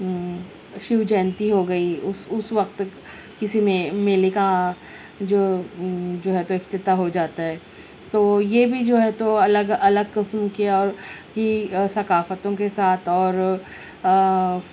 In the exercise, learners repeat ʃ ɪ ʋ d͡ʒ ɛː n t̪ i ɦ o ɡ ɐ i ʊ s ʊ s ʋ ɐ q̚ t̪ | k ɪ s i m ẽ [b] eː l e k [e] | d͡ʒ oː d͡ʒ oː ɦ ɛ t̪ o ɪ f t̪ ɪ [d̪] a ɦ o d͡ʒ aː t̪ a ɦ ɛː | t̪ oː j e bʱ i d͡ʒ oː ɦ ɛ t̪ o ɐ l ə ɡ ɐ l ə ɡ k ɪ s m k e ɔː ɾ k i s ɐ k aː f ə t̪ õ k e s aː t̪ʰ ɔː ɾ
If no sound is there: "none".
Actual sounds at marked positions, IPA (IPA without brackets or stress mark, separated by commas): m, a, t̪